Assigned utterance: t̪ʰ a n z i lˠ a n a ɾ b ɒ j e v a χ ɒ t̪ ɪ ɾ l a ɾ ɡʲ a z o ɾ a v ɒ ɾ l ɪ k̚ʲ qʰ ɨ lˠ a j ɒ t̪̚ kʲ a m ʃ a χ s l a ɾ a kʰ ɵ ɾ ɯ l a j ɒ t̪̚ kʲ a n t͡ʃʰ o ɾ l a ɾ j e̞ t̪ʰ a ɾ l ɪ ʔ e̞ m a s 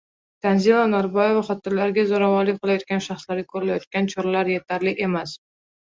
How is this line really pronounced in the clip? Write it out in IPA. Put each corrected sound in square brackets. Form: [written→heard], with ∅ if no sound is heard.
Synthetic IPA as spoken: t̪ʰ a n z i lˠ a n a ɾ b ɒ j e v a χ ɒ t̪ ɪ ɾ l a ɾ ɡʲ a z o ɾ a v ɒ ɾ l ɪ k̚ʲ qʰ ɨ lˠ a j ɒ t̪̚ kʲ a [m→n] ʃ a χ s l a ɾ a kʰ ɵ ɾ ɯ l a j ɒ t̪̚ kʲ a n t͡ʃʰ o ɾ l a ɾ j e̞ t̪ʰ a ɾ l ɪ ʔ e̞ m a s